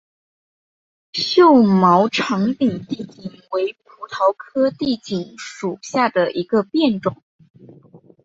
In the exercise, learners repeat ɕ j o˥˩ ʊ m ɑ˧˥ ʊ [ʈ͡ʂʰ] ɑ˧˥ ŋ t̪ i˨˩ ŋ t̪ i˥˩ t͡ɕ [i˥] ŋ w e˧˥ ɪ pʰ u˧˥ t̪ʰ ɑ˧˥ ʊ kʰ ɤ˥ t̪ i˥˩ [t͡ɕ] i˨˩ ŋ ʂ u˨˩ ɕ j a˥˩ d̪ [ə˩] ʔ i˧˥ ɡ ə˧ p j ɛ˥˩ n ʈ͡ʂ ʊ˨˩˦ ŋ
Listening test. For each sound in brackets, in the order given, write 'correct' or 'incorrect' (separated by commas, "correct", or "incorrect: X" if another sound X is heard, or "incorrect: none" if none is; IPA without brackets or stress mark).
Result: correct, incorrect: i˨˩, correct, correct